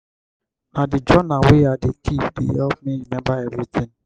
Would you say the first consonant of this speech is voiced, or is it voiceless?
voiced